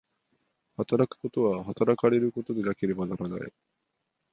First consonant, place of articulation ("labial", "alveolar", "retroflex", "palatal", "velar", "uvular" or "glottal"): glottal